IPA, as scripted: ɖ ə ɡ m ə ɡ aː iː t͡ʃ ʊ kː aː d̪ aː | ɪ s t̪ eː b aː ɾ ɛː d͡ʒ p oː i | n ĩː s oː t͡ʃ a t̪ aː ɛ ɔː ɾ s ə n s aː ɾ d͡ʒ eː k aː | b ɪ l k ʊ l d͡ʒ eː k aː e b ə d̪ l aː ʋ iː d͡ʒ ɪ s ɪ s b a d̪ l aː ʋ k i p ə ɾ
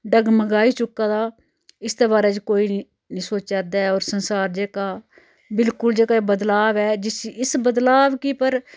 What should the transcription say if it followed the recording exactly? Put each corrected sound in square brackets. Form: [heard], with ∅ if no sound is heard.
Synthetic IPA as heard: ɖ ə ɡ m ə ɡ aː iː t͡ʃ ʊ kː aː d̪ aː | ɪ s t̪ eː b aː ɾ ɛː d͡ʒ [k] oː i | n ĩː s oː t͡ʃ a [d̪] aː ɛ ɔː ɾ s ə n s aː ɾ d͡ʒ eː k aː | b ɪ l k ʊ l d͡ʒ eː k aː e b ə d̪ l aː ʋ [ɛː] d͡ʒ ɪ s ɪ s b [ə] d̪ l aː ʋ k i p ə ɾ